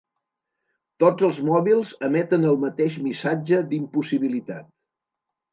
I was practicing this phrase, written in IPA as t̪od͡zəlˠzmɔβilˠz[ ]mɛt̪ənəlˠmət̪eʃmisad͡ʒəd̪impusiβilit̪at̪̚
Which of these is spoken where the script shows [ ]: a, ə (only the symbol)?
ə